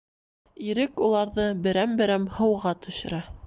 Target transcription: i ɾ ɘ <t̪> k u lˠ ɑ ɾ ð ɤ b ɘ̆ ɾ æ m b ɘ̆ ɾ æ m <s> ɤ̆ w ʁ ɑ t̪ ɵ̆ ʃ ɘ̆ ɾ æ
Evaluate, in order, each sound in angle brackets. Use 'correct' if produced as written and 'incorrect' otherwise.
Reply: incorrect: none, incorrect: h

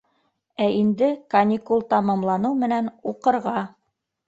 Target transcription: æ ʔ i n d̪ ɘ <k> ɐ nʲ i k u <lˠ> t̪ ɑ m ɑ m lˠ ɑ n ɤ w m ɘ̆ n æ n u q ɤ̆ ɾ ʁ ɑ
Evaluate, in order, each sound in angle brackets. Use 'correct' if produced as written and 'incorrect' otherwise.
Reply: correct, correct

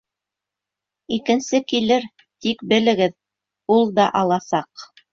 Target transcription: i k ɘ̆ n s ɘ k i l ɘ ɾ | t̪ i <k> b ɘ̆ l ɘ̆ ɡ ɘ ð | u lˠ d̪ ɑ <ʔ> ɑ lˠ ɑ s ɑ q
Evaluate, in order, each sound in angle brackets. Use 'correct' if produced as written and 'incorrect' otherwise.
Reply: correct, correct

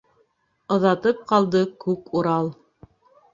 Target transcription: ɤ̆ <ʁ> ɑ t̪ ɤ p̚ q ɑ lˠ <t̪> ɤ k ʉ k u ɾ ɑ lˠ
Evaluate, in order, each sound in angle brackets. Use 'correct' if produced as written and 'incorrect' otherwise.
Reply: incorrect: ð, incorrect: d̪

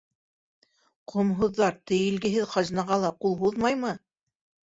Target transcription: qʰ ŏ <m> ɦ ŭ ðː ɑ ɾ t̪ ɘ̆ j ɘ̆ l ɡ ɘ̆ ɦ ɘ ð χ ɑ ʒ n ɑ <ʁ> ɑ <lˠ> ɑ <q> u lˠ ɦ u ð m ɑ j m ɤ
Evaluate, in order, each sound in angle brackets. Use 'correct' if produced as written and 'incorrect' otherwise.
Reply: correct, correct, correct, correct

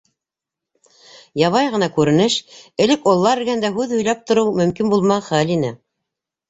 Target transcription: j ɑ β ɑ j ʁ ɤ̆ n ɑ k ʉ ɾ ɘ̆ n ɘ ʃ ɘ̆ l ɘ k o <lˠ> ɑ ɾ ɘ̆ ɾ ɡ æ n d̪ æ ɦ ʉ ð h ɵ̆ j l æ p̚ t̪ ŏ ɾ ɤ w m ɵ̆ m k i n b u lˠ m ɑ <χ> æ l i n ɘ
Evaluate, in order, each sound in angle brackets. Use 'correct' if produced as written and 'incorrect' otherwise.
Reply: incorrect: lˠː, correct

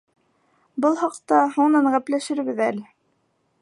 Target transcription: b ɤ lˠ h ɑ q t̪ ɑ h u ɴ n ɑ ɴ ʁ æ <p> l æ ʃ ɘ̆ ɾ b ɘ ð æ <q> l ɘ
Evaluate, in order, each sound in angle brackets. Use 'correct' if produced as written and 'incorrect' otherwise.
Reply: correct, incorrect: none

